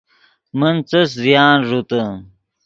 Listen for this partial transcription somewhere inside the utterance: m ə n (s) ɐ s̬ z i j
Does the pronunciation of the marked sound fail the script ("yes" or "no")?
yes